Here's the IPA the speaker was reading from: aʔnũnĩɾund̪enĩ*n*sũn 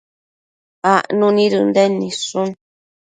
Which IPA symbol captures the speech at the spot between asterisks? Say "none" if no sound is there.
none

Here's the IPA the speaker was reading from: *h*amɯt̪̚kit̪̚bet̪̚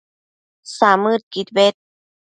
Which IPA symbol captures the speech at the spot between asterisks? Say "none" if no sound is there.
s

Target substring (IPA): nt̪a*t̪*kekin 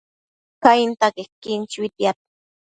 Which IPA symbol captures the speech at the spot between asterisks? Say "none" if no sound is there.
none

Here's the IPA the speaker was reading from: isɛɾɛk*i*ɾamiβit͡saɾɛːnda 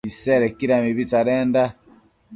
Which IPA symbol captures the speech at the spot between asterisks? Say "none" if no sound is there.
i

